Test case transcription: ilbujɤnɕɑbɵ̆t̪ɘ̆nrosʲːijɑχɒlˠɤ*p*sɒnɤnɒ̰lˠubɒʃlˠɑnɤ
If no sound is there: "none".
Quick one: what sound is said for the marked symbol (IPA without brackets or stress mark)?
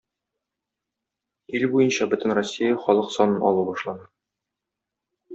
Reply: q